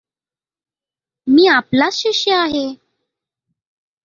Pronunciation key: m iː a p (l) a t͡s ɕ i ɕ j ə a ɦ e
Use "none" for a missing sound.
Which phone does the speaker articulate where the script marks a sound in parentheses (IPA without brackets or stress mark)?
l